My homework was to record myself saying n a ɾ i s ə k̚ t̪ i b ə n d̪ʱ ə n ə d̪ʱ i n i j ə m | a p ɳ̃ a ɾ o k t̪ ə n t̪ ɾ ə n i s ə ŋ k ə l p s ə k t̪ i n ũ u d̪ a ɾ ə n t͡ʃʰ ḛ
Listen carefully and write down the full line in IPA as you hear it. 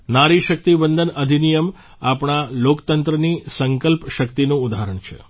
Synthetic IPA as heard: n a ɾ i ʃ ə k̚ t̪ i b ə n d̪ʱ ə n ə d̪ʱ i n i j ə m | a p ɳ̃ a l o k t̪ ə n t̪ ɾ ə n i s ə ŋ k ə l p ʃ ə k t̪ i n ũ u d̪ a ɾ ə ɳ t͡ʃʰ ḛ

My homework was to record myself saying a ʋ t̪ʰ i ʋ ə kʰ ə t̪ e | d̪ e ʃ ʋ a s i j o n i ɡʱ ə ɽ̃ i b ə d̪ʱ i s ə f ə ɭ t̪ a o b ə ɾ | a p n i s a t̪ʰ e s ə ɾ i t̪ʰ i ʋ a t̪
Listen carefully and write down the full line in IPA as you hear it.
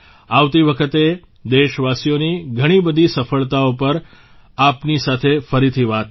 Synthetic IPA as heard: a ʋ t̪ i ʋ ə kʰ ə t̪ e | d̪ e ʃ ʋ a s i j o n i ɡʱ ə ɽ̃ i b ə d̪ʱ i s ə f ə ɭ t̪ a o p ə ɾ | a p n i s a t̪ʰ e f ə ɾ i t̪ʰ i ʋ a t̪

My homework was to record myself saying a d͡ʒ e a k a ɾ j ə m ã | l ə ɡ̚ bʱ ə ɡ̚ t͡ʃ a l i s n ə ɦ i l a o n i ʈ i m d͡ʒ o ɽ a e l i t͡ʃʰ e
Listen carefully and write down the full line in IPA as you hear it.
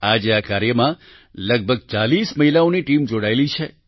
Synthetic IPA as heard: a d͡ʒ e a k a ɾ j ə m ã | l ə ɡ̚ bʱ ə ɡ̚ t͡ʃ a l i s m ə ɦ i l a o n i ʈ i m d͡ʒ o ɽ a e l i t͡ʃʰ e

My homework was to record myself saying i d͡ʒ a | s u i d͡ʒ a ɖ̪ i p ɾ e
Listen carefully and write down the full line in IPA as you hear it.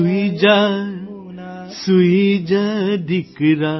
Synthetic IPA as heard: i d͡ʒ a | s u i d͡ʒ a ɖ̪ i k ɾ a

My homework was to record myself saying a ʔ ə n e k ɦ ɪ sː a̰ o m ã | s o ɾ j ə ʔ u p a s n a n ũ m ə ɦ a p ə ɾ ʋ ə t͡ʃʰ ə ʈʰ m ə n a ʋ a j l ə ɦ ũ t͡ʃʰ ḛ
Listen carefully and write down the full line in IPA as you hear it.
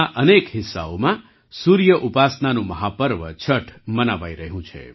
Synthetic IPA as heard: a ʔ ə n e k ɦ ɪ sː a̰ o m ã | s u ɾ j ə ʔ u p a s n a n ũ m ə ɦ a p ə ɾ ʋ ə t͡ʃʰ ə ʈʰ m ə n a ʋ a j ɾ ə ɦ ũ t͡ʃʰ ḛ

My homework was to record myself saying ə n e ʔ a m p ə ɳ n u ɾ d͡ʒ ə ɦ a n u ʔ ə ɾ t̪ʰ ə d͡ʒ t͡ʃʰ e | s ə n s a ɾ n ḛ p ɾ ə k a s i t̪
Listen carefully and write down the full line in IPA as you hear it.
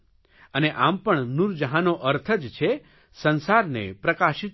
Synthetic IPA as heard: ə n e ʔ a m p ə ɳ n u ɾ d͡ʒ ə ɦ a n o ʔ ə ɾ t̪ʰ ə d͡ʒ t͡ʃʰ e | s ə n s a ɾ n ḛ p ɾ ə k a ʃ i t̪

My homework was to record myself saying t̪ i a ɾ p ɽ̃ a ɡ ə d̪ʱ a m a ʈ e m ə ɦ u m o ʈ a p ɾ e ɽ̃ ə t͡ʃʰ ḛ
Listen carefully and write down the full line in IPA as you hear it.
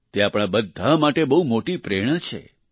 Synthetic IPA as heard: t̪ e a p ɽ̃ a b ə d̪ʱ a m a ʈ e b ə ɦ u m o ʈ i p ɾ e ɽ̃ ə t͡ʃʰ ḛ

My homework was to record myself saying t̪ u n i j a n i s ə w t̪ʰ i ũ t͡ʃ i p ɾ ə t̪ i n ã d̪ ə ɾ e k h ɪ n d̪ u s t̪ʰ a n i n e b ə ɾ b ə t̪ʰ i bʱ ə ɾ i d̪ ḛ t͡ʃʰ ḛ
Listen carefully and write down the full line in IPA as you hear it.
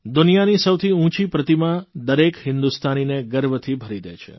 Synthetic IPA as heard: d̪ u n i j a n i s ə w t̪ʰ i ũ t͡ʃ i p ɾ ə t̪ i m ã d̪ ə ɾ e k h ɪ n d̪ u s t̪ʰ a n i n e ɡ ə ɾ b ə t̪ʰ i bʱ ə ɾ i d̪ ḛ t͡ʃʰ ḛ

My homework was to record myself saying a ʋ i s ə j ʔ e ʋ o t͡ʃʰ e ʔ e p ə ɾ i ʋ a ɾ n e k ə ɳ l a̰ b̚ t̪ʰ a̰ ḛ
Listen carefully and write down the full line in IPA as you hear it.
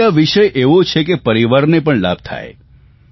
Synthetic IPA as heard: a ʋ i ʃ ə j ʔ e ʋ o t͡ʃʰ e k e p ə ɾ i ʋ a ɾ n e p ə ɳ l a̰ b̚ t̪ʰ a̰ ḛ

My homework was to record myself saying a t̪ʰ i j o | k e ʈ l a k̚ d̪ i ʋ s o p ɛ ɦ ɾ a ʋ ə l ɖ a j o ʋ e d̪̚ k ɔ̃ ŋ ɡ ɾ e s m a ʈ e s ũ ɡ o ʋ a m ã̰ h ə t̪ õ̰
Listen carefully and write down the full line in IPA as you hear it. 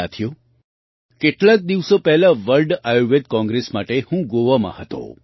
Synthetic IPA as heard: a t̪ʰ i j o | k e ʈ l a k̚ d̪ i ʋ s o p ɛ ɦ l a ʋ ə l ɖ a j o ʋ e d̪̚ k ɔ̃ ŋ ɡ ɾ e s m a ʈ e h ũ ɡ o ʋ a m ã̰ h ə t̪ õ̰

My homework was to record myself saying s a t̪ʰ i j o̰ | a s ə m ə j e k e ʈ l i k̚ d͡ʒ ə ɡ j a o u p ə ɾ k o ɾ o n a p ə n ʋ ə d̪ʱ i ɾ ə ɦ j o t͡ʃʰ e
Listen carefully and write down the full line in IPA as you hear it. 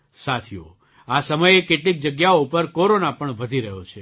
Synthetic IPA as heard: s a t̪ʰ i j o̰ | a s ə m ə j e k e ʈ l i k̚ d͡ʒ ə ɡ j a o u p ə ɾ k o ɾ o n a p ə ɳ ʋ ə d̪ʱ i ɾ ə ɦ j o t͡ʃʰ e

